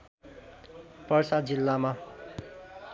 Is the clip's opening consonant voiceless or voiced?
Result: voiceless